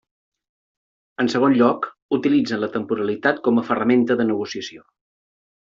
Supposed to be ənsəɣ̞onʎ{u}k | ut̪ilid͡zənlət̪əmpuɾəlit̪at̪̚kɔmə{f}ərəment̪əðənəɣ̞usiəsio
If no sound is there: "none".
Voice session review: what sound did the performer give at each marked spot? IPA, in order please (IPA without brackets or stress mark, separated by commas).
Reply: ɔ, f